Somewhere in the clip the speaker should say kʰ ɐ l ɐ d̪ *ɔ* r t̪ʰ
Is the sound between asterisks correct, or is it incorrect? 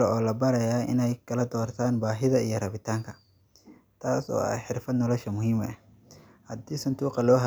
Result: incorrect